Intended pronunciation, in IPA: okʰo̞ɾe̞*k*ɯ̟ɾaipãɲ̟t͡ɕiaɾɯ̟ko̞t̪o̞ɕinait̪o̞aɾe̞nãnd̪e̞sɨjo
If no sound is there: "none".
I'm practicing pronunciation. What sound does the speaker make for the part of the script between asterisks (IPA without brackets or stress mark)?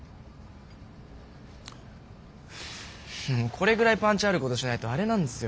ɡ